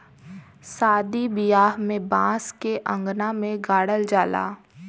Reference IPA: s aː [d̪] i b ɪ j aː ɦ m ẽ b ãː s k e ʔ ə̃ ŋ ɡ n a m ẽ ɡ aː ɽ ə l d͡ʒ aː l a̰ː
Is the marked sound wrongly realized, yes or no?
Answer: no